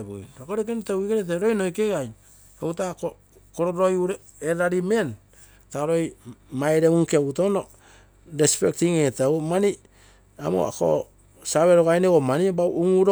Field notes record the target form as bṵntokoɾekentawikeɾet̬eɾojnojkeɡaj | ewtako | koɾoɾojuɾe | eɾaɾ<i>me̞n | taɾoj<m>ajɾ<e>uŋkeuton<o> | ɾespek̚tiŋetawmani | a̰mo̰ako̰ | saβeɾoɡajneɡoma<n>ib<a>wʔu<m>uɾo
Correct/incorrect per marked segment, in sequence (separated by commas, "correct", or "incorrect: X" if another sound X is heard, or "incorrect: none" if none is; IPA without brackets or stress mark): correct, correct, correct, correct, correct, correct, incorrect: ŋ